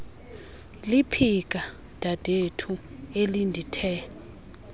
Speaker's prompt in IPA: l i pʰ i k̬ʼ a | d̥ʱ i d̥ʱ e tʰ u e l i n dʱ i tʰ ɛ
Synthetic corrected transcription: l i pʰ i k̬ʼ a | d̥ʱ a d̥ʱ e tʰ u e l i n dʱ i tʰ ɛ